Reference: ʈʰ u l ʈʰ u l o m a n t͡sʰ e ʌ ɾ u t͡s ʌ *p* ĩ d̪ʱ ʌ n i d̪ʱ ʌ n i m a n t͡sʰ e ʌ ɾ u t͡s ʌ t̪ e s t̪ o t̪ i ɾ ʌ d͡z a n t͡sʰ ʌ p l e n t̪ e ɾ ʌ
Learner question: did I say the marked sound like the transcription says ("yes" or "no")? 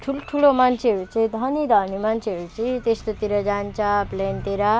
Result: no